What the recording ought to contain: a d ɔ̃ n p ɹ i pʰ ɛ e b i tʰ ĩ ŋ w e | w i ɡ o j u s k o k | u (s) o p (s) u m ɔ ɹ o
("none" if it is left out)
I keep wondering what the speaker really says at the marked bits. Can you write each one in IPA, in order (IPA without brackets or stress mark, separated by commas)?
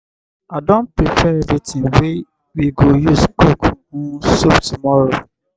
s, t